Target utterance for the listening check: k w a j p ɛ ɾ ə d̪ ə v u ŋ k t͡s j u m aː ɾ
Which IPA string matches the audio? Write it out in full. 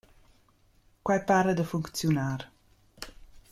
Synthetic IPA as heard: k w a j p a ɾ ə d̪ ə f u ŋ k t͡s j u n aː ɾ